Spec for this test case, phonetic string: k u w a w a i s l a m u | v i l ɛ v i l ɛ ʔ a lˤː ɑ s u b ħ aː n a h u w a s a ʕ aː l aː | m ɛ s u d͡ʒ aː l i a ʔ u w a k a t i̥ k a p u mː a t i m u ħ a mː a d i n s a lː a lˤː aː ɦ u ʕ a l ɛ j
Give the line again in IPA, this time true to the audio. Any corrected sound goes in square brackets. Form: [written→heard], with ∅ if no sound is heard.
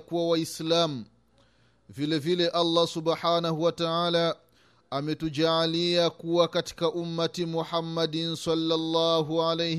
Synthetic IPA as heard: k u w a w a i s l a m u | v i l ɛ v i l ɛ ʔ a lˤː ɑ s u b ħ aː n a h u w a [s→t] a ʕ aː l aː | m ɛ [s→t] u d͡ʒ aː l i a [ʔ→k] u w a k a t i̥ k a [p→ʔ] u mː a t i m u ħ a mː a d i n s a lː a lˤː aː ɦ u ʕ a l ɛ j